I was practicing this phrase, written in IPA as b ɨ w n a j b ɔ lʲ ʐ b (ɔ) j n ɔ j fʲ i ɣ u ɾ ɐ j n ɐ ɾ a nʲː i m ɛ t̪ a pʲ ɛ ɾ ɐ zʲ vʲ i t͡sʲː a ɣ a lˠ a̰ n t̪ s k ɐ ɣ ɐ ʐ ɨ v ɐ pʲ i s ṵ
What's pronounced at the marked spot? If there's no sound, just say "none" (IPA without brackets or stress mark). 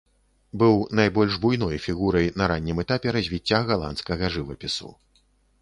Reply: u